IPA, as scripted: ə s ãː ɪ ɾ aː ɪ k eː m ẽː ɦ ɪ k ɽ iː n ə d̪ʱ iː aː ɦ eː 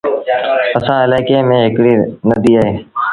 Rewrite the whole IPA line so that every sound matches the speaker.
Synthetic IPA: ə s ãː ɪ l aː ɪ k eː m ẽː ɦ ɪ k ɽ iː n ə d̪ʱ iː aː ɦ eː